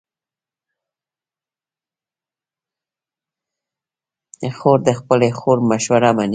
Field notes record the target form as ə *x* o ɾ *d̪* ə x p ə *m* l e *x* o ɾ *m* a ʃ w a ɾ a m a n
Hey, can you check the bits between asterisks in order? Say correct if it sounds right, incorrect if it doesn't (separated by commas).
correct, correct, incorrect, correct, correct